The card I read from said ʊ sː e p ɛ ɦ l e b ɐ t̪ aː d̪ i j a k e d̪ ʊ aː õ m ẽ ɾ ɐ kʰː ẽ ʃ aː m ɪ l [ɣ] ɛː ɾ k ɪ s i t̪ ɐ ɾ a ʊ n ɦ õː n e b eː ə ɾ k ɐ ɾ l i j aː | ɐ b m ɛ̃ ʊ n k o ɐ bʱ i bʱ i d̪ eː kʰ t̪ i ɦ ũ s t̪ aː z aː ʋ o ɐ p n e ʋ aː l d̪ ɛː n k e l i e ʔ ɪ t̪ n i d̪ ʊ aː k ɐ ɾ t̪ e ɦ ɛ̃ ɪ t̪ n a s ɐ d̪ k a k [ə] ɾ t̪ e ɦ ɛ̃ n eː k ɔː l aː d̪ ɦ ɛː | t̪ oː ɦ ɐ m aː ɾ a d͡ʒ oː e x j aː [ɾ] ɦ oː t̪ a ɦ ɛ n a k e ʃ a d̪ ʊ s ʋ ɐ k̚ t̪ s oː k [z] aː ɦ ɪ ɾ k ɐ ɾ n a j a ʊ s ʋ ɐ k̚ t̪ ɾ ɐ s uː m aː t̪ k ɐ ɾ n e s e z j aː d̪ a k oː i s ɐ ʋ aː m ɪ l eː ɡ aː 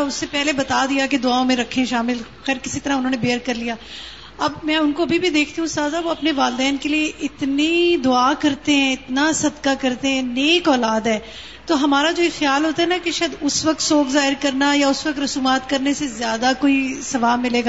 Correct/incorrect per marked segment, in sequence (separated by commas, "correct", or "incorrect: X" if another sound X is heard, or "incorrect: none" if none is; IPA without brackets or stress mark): incorrect: x, incorrect: ɐ, incorrect: l, correct